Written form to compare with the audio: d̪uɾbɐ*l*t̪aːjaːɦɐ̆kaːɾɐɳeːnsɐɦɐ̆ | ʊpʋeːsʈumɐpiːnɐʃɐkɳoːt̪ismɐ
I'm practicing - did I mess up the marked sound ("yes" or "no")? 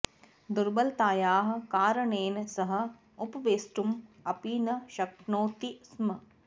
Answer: no